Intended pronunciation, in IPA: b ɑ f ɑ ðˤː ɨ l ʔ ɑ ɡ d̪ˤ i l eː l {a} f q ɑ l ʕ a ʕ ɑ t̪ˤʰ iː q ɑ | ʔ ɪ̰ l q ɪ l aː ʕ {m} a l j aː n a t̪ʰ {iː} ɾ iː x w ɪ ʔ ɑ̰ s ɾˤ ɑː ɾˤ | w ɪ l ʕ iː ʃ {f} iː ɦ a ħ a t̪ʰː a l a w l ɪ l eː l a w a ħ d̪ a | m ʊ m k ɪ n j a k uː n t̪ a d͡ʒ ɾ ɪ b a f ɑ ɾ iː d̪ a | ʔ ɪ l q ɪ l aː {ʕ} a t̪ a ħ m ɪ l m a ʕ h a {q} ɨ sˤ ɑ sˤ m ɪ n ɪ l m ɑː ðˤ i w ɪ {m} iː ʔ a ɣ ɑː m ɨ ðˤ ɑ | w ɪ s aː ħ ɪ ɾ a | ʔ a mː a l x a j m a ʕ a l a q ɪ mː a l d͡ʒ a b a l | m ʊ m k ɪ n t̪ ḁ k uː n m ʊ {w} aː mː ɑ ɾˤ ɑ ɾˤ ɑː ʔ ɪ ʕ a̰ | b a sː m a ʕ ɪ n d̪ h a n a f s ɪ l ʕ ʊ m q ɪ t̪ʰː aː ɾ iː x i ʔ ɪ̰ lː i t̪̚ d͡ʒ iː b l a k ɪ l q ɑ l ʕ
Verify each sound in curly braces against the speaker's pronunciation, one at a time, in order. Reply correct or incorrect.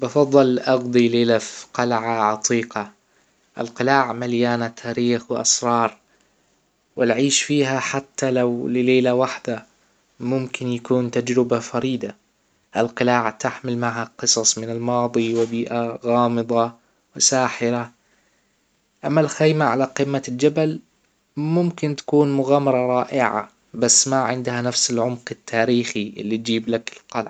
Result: correct, correct, incorrect: aː, correct, correct, correct, incorrect: b, incorrect: ɣ

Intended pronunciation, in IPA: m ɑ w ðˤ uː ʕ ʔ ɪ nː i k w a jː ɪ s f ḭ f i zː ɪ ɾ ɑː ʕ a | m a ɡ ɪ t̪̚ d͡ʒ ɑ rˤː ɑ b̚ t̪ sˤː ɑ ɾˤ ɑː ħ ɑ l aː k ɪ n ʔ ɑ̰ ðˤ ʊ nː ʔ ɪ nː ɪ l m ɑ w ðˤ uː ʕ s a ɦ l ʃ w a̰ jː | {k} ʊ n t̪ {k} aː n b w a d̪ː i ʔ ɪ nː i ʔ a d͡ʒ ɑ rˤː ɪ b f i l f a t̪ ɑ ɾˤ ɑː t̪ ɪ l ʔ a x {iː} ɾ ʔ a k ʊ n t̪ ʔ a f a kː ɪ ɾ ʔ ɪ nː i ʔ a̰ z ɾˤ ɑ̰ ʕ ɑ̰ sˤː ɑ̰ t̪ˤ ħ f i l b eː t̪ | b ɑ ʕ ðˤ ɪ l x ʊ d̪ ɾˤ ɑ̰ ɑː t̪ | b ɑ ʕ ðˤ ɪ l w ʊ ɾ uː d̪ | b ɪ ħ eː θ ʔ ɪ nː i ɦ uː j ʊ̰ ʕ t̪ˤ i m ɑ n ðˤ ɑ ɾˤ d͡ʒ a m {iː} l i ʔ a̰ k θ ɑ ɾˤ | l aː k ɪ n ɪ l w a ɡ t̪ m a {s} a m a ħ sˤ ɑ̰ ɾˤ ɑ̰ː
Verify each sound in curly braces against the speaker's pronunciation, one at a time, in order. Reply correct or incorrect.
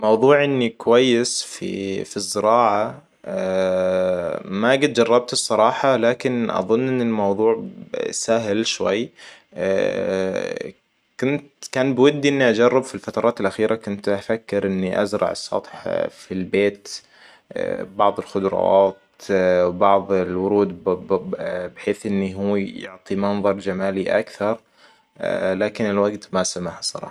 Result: correct, correct, correct, incorrect: aː, correct

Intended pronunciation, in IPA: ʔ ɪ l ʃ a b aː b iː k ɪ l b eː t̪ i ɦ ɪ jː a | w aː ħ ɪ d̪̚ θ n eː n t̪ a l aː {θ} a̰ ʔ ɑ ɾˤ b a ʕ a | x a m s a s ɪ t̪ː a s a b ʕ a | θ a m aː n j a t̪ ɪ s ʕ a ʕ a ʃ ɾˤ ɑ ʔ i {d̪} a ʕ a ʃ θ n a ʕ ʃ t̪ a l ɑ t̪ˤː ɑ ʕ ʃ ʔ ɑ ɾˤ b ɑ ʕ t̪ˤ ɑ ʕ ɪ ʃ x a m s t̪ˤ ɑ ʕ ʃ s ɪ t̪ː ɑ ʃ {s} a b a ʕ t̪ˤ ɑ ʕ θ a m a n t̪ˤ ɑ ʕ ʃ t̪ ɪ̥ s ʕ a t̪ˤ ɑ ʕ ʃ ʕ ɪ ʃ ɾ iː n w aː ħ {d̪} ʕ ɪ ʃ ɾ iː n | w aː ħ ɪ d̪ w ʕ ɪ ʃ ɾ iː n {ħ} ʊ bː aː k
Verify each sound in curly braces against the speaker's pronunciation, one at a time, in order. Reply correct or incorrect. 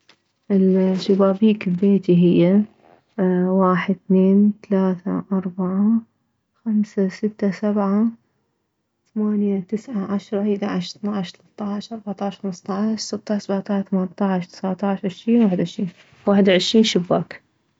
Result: correct, correct, correct, correct, incorrect: ʃ

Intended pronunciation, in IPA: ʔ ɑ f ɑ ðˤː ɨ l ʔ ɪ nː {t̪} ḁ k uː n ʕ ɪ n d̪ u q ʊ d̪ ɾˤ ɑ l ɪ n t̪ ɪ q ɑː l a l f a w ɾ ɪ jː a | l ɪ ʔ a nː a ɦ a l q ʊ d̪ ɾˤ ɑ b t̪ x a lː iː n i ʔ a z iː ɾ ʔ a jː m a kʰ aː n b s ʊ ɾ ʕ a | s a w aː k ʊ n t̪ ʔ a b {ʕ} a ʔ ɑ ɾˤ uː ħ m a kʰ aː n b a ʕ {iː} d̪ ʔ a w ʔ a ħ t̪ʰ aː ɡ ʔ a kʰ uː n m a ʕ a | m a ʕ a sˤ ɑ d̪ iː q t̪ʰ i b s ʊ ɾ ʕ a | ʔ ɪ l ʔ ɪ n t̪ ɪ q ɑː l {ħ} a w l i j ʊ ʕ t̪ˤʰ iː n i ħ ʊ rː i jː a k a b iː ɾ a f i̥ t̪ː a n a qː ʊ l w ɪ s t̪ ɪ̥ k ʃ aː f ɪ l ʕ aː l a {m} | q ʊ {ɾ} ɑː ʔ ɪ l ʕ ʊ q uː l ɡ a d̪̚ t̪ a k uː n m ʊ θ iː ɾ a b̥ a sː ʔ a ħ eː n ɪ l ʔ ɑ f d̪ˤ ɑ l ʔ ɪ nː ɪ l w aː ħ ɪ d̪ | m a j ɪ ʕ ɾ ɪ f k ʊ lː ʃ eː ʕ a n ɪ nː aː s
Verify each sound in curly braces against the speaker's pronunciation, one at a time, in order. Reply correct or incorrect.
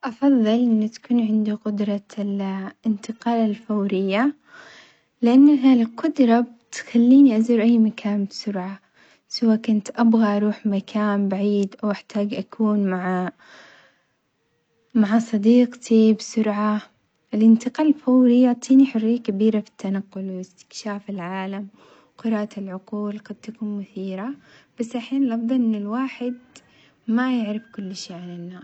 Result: correct, incorrect: ɣ, correct, incorrect: f, correct, correct

